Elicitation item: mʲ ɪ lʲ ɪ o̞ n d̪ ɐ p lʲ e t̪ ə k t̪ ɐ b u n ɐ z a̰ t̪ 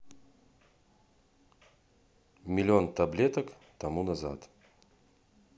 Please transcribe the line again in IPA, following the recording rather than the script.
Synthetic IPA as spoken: mʲ ɪ lʲ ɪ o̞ n t̪ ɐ b lʲ e t̪ ə k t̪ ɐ m u n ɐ z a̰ t̪